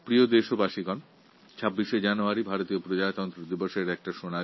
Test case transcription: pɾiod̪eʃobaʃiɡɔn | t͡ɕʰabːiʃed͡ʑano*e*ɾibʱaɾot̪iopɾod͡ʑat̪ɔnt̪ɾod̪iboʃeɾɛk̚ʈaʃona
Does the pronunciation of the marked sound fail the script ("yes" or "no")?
yes